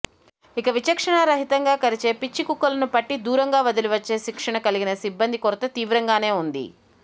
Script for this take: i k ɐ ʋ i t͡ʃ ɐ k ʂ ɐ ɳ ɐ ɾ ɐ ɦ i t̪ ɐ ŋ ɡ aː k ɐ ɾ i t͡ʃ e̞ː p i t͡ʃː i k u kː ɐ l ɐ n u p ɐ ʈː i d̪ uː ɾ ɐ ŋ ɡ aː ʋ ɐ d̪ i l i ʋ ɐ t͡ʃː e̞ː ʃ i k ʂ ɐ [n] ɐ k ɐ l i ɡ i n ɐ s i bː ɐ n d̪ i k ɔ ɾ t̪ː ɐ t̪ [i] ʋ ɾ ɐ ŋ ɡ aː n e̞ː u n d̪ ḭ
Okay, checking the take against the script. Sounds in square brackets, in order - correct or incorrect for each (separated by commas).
incorrect, incorrect